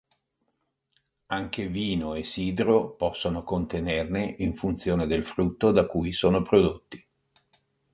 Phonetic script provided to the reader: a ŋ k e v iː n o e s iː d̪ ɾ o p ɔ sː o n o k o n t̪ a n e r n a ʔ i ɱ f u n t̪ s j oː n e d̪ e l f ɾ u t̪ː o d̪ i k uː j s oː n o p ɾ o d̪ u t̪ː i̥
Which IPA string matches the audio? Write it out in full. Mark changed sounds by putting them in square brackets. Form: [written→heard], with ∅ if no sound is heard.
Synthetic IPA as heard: a ŋ k e v iː n o e s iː d̪ ɾ o p ɔ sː o n o k o n t̪ [a→e] n e r n [a→e] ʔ i ɱ f u n t̪ s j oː n e d̪ e l f ɾ u t̪ː o d̪ [i→a] k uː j s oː n o p ɾ o d̪ [u→o] t̪ː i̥